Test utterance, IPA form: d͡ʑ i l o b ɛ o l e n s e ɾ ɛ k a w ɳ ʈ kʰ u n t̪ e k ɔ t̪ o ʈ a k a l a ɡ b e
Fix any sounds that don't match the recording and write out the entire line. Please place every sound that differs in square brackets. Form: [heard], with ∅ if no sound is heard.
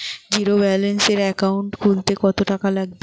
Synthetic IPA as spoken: d͡ʑ i [ɾ] o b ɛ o l e n s e ɾ ɛ k a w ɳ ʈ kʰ u n t̪ e k ɔ t̪ o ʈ a k a l a ɡ b e

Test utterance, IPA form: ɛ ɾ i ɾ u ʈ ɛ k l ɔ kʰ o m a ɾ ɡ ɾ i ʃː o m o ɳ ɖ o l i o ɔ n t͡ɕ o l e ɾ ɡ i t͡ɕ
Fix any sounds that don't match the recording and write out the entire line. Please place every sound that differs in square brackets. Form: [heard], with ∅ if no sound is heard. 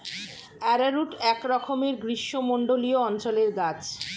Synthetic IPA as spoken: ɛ ɾ [a] ɾ u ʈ ɛ k [ɾ] ɔ kʰ o m [e] ɾ ɡ ɾ i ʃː o m o ɳ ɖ o l i o ɔ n t͡ɕ o l e ɾ ɡ [a] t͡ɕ

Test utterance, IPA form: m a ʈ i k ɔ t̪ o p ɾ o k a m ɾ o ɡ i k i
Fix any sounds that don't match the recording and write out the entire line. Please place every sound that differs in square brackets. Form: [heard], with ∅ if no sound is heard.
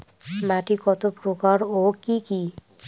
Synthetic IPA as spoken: m a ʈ i k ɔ t̪ o p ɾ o k a [∅] ɾ o [k] i k i

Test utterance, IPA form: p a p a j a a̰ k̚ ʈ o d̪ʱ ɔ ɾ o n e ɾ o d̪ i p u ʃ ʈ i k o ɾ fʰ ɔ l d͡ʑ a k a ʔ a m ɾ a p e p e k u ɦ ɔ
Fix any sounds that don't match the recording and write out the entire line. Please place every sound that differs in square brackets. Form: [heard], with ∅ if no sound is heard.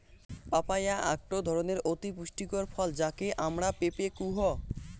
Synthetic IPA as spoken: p a p a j a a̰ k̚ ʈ o d̪ʱ ɔ ɾ o n e ɾ o [t̪] i p u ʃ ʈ i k o ɾ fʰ ɔ l d͡ʑ a k [e] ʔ a m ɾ a p e p e k u ɦ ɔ

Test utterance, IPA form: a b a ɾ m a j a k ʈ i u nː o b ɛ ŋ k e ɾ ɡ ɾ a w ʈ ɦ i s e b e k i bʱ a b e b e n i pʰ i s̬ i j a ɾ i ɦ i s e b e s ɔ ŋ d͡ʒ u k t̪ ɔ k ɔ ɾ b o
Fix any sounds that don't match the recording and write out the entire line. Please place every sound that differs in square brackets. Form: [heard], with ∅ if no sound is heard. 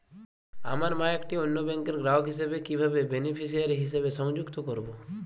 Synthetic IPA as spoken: a [m] a ɾ m a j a k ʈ i [o] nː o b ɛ ŋ k e ɾ ɡ ɾ a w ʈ ɦ i s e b e k i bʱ a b e b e n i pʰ i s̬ i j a ɾ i ɦ i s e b e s ɔ ŋ d͡ʒ u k t̪ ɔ k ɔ ɾ b o

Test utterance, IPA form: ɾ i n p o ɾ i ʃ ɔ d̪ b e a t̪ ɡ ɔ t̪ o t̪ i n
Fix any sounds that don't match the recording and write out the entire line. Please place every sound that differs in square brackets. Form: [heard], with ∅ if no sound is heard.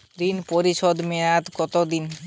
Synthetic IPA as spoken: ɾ i n p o ɾ i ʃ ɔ d̪ [m] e a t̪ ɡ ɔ t̪ o [d̪] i n

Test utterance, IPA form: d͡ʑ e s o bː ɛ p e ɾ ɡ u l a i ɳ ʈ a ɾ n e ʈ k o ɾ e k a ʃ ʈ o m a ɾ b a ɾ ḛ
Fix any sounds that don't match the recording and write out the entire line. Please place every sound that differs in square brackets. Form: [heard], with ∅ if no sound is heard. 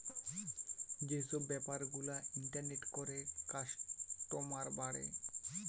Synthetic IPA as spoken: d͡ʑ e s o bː ɛ p [a] ɾ ɡ u l a i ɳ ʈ a ɾ n e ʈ k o ɾ e k a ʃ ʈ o m a ɾ b a [ɽ] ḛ

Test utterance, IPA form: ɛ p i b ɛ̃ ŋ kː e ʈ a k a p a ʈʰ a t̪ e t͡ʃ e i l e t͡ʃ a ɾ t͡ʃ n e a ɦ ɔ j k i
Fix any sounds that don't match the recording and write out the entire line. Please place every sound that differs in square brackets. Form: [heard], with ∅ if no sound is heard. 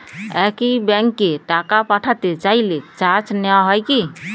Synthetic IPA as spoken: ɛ [k] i b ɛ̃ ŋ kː e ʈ a k a p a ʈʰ a t̪ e t͡ʃ [a] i l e t͡ʃ a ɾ t͡ʃ n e a ɦ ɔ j k i

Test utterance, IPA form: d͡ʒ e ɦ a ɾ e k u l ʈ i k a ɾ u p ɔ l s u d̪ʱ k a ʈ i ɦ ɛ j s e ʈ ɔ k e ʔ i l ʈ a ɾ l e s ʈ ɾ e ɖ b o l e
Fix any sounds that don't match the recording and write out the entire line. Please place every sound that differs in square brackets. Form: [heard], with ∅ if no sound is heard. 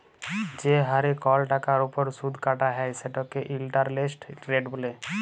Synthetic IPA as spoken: d͡ʒ e ɦ a ɾ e k [ɔ] l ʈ [a] k a ɾ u p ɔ [ɾ] s u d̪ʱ k a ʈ [a] ɦ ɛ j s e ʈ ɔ k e ʔ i l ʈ a ɾ l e s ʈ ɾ e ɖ b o l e

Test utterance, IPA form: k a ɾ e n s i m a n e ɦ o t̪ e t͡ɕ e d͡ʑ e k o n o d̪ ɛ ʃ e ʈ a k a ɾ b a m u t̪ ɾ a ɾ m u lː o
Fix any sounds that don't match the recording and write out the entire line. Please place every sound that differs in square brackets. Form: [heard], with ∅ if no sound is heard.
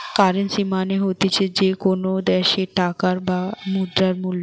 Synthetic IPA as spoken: k a ɾ e n s i m a n e ɦ o t̪ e [t͡ɕʰ] e d͡ʑ e k o n o d̪ ɛ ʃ e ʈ a k a ɾ b a m u [d̪] ɾ a ɾ m u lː o

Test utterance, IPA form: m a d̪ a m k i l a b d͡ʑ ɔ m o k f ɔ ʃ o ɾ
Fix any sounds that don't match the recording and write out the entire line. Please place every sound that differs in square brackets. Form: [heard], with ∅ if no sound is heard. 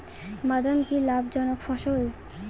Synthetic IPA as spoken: m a d̪ a m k i l a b d͡ʑ ɔ [n] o k f ɔ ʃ o [l]

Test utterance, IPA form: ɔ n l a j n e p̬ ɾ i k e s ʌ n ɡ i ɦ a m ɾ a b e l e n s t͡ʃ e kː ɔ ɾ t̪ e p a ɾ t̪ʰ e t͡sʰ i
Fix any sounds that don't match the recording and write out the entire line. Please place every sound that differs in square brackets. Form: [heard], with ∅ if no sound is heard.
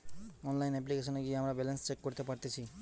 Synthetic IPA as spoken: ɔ n l a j n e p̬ [l] i k e s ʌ n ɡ i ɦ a m ɾ a b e l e n s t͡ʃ e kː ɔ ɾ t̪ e p a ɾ [t̪] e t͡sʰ i

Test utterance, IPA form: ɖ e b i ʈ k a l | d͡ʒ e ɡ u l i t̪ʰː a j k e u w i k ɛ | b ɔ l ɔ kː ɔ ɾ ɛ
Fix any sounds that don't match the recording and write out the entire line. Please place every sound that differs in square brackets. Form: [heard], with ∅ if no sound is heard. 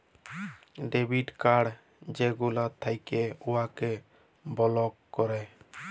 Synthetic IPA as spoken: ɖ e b i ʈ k a [ɽ] | d͡ʒ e ɡ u l [a] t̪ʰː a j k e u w [a] k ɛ | b ɔ l ɔ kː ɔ ɾ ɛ

